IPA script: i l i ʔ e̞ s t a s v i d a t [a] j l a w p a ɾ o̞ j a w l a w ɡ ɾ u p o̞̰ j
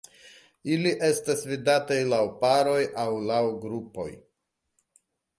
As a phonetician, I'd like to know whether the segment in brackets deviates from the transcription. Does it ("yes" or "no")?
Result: no